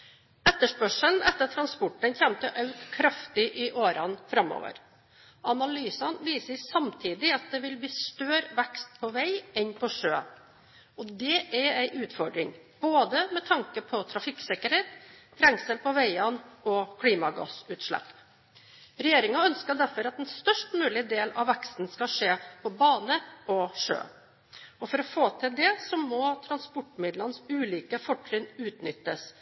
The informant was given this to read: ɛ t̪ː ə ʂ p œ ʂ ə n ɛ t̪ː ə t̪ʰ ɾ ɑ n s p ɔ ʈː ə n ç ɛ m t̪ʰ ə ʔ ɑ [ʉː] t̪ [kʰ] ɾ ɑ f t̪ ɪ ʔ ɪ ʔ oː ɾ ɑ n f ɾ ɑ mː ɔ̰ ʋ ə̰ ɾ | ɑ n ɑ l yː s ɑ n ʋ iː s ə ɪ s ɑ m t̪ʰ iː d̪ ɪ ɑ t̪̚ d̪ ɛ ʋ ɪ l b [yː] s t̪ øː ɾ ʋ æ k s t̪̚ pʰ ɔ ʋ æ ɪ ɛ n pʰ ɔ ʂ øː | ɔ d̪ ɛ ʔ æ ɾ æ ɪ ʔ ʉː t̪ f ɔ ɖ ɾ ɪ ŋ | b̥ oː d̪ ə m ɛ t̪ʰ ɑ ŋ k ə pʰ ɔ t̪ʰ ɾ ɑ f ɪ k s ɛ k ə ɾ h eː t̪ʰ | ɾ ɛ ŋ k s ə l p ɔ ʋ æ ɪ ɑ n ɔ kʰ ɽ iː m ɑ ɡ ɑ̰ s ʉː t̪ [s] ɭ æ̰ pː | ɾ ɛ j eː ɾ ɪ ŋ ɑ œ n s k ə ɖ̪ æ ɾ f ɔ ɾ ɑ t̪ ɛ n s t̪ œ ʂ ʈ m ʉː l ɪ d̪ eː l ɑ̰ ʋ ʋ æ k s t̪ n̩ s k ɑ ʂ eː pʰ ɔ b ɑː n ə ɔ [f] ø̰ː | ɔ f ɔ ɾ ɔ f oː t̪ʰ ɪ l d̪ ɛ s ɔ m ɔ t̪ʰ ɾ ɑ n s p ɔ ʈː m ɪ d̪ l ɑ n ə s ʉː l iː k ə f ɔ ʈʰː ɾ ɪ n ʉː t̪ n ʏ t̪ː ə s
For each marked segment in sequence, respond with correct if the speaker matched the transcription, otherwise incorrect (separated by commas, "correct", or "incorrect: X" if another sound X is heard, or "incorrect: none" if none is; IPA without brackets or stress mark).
incorrect: ʉ, correct, incorrect: iː, incorrect: ʂ, incorrect: ʂ